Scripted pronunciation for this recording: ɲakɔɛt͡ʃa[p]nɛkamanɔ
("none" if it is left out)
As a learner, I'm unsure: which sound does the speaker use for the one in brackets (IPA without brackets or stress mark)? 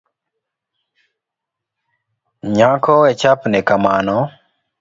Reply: p